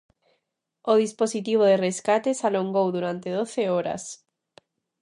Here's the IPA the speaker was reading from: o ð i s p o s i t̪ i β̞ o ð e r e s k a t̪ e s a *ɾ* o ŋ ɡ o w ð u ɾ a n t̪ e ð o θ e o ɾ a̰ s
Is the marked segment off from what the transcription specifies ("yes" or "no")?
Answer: yes